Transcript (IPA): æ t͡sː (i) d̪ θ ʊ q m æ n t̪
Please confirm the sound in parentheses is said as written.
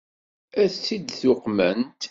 yes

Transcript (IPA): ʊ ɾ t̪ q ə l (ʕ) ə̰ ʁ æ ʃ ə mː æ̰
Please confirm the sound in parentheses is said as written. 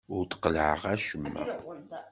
yes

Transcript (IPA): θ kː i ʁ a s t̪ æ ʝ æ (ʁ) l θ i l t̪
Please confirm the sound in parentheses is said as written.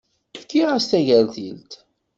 no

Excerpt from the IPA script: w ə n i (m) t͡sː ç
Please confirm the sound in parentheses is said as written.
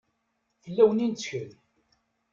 no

